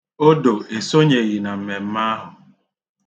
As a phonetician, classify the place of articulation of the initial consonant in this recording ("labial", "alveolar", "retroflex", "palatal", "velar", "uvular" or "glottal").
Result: alveolar